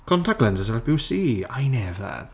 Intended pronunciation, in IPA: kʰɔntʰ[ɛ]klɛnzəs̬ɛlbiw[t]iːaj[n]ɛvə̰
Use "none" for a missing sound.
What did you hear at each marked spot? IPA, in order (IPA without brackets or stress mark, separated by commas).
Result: a, s, n